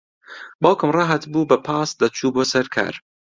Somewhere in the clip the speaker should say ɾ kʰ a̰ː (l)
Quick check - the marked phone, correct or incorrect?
incorrect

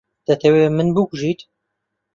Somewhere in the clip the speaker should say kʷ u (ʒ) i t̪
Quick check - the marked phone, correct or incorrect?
correct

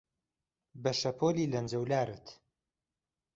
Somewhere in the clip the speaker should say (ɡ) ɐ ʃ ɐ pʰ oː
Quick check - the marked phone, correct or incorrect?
incorrect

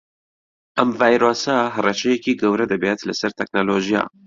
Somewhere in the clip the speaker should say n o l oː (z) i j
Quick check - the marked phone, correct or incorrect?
incorrect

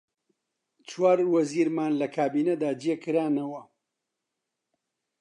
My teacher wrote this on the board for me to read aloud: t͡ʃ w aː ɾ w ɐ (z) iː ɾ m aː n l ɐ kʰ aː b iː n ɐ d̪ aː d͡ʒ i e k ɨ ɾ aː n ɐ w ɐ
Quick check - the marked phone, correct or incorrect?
correct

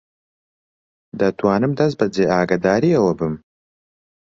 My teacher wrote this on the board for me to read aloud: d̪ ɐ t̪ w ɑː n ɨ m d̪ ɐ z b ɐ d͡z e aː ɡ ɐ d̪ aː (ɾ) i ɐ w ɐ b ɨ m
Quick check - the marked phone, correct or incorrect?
correct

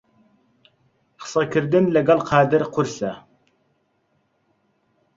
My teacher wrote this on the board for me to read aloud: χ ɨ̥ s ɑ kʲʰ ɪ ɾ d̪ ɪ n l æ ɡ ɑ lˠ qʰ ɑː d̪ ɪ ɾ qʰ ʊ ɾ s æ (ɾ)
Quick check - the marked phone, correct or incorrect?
incorrect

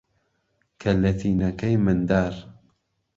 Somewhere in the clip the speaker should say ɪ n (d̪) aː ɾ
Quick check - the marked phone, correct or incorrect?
correct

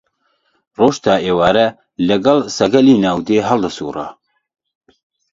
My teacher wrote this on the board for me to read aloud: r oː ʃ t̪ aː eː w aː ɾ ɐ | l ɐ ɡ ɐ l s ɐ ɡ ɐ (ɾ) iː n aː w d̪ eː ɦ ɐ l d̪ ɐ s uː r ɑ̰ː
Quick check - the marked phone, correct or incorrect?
incorrect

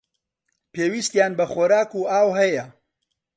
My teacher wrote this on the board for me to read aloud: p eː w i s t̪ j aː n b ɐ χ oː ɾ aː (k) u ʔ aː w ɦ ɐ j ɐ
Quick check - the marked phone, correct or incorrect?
correct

